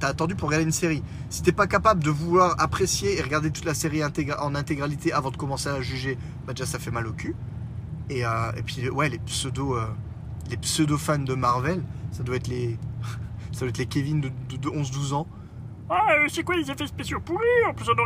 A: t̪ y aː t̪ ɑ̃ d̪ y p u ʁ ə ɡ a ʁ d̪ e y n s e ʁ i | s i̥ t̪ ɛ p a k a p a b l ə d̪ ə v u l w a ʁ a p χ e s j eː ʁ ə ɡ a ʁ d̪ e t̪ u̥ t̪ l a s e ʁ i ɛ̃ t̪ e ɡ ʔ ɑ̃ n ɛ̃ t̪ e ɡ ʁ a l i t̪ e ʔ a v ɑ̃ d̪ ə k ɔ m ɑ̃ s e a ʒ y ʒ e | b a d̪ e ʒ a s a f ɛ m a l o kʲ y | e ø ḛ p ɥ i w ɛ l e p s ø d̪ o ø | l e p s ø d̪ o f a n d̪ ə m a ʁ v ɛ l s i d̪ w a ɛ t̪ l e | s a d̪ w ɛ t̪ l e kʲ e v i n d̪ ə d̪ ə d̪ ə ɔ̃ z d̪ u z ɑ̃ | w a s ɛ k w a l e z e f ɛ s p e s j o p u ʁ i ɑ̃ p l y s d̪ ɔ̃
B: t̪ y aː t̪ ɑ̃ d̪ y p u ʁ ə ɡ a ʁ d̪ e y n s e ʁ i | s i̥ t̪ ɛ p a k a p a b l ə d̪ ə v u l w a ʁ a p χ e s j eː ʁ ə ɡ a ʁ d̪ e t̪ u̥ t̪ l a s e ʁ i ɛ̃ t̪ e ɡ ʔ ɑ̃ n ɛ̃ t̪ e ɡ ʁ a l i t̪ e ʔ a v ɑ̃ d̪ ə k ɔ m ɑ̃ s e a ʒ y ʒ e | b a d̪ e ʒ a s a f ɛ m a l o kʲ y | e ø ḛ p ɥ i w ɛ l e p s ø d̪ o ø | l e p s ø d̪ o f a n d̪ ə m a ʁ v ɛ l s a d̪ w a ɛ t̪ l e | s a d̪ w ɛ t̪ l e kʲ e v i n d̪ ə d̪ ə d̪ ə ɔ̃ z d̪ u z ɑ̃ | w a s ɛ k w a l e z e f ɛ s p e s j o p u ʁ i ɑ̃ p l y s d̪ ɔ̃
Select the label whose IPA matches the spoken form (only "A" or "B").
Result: B